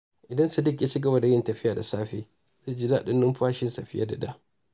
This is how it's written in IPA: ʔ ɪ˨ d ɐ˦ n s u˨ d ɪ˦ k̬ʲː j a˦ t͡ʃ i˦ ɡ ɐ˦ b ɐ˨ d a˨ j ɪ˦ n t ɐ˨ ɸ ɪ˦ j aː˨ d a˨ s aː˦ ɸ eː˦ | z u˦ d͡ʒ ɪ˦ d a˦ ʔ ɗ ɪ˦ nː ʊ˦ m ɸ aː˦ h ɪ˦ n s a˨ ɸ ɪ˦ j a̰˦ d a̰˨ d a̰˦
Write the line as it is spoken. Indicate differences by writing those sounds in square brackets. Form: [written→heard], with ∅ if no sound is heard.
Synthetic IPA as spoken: ʔ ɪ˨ d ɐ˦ n s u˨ d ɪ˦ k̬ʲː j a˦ t͡ʃ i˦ ɡ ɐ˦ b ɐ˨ d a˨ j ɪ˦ n t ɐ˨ ɸ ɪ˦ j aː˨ d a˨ s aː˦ ɸ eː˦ | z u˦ d͡ʒ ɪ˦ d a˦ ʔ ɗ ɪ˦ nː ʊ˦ m ɸ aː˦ [h→ʃ] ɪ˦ n s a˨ ɸ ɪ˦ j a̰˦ d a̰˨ d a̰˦